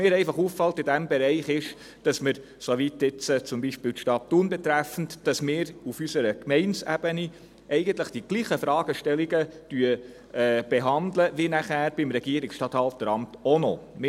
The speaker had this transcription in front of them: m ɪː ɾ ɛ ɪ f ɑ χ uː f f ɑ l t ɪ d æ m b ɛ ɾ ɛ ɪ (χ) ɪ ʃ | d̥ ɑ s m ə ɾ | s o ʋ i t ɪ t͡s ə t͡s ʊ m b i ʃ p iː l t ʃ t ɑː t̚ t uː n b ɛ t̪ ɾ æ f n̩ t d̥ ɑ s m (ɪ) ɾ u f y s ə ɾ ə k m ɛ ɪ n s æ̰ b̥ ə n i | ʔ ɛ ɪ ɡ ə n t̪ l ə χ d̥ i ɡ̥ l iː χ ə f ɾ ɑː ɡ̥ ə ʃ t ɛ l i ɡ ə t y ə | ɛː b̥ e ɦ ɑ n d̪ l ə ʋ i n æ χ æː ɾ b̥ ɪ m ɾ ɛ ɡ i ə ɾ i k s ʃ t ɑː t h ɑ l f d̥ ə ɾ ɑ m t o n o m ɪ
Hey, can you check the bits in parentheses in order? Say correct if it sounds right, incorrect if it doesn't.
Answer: correct, incorrect: ɪː

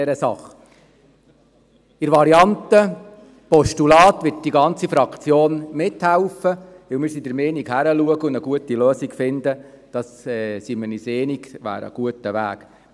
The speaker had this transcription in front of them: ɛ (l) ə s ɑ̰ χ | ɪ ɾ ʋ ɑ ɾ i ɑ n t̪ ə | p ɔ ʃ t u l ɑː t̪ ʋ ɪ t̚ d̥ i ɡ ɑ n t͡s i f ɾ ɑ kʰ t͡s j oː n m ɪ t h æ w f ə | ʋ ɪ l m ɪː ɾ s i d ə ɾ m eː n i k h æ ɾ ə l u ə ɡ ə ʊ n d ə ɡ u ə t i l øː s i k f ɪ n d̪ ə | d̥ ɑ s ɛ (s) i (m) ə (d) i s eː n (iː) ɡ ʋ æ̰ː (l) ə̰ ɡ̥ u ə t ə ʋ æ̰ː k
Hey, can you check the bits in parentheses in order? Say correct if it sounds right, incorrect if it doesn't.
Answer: incorrect: ɾ, correct, correct, incorrect: n, incorrect: i, incorrect: ɾ

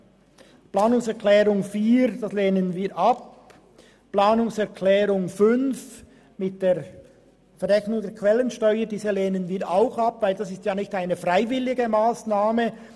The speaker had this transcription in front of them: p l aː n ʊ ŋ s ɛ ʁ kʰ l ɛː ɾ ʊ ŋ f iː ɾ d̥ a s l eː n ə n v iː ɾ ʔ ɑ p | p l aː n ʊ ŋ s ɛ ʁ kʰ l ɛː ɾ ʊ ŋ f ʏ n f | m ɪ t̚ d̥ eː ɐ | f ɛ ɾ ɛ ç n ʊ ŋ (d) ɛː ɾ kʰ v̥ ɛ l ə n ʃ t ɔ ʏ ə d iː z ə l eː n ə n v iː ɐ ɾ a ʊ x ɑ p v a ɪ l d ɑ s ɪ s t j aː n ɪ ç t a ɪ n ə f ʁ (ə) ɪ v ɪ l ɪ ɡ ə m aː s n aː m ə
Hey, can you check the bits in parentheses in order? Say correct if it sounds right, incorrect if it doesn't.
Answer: correct, incorrect: a

